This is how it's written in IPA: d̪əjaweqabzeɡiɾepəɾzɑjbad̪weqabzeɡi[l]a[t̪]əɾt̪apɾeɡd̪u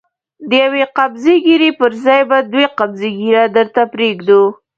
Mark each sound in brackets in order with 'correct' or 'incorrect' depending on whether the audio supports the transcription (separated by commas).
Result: incorrect, incorrect